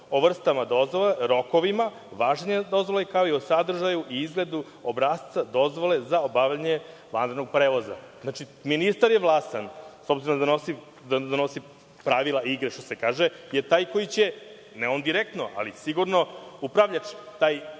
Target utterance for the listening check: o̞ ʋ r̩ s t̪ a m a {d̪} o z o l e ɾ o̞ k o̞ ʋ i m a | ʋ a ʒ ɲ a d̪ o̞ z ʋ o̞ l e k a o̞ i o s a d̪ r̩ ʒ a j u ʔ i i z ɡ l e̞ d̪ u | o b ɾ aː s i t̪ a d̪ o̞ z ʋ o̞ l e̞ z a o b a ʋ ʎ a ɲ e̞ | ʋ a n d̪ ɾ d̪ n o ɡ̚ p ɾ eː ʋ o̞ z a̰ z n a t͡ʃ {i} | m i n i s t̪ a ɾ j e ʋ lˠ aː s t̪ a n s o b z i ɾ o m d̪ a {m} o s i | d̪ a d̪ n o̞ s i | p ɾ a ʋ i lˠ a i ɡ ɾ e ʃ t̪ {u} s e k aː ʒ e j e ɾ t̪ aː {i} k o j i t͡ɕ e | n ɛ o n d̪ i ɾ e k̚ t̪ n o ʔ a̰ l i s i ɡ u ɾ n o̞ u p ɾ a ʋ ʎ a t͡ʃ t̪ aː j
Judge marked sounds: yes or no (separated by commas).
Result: yes, yes, no, no, no